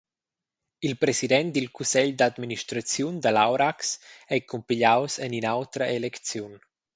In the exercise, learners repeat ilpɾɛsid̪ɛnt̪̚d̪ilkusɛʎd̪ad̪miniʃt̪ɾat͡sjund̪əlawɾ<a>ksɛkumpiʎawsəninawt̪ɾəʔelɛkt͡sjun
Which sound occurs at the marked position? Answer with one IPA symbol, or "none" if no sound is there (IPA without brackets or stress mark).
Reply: a